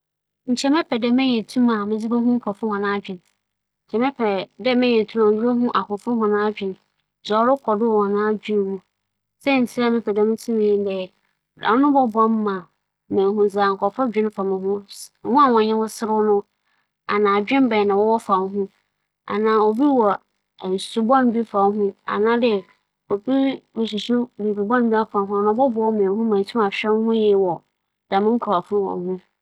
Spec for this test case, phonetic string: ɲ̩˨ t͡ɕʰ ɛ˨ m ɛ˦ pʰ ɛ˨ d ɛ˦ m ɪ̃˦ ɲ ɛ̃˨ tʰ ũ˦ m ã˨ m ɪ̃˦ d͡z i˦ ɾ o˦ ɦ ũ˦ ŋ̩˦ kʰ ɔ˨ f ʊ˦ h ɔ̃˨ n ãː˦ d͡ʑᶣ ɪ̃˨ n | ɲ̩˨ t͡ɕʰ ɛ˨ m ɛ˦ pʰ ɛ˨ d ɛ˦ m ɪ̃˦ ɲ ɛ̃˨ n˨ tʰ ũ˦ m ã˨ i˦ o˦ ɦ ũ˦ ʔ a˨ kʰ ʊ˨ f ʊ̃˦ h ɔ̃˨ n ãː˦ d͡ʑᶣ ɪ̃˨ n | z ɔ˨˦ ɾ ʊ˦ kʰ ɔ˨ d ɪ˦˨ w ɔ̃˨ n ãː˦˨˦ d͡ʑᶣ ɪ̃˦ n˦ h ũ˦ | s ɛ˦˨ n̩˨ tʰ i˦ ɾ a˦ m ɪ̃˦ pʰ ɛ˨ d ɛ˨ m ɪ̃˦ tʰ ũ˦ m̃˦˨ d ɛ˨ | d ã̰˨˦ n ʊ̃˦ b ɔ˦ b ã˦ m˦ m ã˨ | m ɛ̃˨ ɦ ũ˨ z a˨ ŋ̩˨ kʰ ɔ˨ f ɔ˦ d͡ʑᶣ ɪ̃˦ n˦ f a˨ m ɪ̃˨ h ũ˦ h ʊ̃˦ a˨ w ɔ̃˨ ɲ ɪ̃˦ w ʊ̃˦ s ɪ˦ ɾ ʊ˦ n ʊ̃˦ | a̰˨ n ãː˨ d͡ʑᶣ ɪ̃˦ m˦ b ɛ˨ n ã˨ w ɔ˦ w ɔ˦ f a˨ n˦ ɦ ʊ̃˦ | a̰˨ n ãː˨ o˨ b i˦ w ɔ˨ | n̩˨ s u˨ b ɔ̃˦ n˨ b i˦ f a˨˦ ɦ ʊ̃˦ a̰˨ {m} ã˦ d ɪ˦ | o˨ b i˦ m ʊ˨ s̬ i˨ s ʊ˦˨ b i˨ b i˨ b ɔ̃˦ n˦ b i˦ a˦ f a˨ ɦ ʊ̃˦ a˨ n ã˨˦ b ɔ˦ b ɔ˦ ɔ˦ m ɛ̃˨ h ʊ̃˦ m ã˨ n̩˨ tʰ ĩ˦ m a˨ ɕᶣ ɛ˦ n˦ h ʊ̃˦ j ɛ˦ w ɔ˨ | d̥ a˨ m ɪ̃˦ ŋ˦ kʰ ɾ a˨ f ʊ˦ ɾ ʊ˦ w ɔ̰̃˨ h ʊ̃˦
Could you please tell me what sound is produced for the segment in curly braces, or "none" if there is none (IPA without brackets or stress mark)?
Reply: n